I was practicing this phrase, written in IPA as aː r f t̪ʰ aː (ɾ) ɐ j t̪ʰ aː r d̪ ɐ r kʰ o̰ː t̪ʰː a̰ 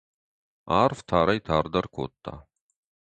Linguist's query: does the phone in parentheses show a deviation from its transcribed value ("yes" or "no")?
no